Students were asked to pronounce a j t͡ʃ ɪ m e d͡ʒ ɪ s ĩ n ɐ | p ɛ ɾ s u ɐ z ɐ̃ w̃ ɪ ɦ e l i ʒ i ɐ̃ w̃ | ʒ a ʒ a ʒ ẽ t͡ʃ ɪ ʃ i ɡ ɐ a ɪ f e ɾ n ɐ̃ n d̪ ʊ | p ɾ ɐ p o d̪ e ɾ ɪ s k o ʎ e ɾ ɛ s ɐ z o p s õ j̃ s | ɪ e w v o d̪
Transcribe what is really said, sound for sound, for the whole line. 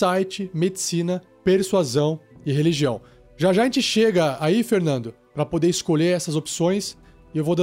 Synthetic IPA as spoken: a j t͡ʃ ɪ m e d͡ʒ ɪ s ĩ n ɐ | p e ɾ s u a z ɐ̃ w̃ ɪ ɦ e l i ʒ i ɐ̃ w̃ | ʒ a ʒ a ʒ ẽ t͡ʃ ɪ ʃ e ɡ ɐ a i f e ɾ n ɐ̃ n d̪ ʊ | p ɾ ɐ p o d̪ e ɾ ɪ s k o ʎ e ɾ ɛ s ɐ z o p s õ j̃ s | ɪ e w v o d̪